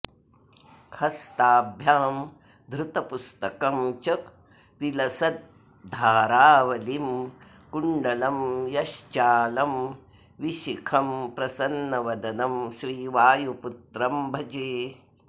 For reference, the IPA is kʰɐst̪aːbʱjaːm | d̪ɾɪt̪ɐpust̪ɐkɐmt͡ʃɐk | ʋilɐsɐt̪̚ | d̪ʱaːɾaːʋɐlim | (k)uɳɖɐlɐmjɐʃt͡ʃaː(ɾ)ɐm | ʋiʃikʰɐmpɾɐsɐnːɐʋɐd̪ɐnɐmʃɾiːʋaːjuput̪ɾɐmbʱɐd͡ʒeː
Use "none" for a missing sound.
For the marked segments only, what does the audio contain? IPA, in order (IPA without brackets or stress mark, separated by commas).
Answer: k, l